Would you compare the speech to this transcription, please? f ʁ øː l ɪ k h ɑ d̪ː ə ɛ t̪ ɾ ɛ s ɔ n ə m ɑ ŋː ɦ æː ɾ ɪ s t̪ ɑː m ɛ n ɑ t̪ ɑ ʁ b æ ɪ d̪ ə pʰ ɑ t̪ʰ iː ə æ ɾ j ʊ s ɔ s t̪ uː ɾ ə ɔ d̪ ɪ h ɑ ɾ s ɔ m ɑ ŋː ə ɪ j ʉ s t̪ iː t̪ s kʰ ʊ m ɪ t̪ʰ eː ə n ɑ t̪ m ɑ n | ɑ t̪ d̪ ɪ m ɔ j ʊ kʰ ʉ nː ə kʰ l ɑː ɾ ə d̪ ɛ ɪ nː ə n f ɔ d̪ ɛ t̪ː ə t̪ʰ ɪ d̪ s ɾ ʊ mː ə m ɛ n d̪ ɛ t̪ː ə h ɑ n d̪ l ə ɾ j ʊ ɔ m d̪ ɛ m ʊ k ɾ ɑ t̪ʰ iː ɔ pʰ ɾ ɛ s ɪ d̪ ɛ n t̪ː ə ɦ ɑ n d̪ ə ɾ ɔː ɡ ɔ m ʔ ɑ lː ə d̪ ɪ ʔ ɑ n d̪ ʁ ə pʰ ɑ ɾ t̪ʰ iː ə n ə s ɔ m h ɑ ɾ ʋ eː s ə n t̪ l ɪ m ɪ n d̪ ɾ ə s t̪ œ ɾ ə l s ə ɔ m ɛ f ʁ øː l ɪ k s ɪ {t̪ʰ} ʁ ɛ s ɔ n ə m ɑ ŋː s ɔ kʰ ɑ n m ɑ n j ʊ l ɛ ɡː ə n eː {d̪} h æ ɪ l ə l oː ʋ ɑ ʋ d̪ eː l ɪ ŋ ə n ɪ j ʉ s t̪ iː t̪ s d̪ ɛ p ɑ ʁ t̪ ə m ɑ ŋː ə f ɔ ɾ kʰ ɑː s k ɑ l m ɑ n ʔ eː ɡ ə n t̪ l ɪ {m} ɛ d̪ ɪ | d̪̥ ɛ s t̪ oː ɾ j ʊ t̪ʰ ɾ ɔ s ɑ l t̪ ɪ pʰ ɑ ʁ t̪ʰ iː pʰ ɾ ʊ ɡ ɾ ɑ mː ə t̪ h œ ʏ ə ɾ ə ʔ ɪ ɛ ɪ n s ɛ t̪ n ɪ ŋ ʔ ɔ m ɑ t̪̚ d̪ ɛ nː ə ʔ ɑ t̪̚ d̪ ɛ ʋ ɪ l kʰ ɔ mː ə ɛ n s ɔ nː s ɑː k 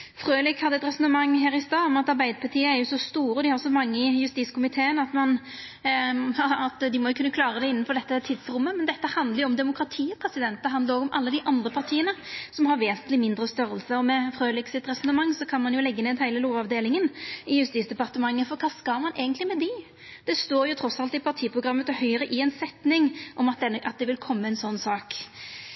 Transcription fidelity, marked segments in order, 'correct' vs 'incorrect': incorrect: t̪, correct, correct

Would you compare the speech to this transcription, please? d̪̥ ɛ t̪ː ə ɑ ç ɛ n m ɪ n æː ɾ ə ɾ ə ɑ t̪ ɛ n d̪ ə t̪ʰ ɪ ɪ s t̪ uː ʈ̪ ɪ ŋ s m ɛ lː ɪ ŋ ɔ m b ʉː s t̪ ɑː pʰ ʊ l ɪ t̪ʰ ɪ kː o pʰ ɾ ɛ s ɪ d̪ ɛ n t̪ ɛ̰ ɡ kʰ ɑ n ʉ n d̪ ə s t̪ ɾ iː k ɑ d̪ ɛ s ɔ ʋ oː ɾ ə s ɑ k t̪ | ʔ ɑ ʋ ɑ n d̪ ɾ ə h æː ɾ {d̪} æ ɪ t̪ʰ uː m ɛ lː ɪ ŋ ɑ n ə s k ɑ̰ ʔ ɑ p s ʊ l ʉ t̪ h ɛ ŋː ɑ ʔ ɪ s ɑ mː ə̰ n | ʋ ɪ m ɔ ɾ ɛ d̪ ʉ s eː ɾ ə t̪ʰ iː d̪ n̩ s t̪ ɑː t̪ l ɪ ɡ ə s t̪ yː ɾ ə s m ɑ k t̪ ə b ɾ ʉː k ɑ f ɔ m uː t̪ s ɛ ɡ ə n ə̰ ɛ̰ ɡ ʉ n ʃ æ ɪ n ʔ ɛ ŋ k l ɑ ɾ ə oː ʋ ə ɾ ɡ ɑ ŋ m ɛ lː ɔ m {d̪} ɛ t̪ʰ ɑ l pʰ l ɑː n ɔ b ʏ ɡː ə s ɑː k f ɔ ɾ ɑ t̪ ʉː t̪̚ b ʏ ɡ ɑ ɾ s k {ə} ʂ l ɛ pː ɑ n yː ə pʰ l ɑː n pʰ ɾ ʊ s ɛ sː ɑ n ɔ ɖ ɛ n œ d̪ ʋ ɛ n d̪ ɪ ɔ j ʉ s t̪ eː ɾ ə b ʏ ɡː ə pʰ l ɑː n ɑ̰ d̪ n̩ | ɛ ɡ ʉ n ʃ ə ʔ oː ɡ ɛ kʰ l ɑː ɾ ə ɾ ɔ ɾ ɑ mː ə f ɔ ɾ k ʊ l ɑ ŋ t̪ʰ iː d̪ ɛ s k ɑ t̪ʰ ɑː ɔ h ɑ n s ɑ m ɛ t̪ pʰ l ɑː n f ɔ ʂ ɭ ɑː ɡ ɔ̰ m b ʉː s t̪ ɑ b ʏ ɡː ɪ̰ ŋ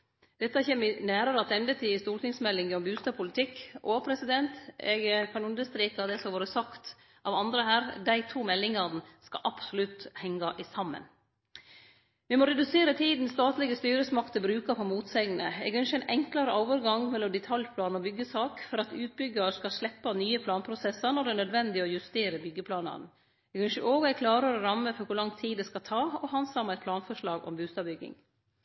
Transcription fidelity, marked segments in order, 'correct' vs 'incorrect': correct, correct, incorrect: ɑ

